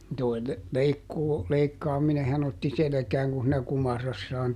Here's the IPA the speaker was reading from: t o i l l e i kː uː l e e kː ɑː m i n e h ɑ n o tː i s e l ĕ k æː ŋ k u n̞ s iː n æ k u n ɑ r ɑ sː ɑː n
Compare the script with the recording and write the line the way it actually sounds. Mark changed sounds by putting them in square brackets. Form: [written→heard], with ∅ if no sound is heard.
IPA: t o i l l e i kː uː l e [e→i] kː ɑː m i n e h ɑ n o tː i s e l ĕ k æː ŋ k u n̞ s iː n æ k u [n→m] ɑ r ɑ sː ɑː n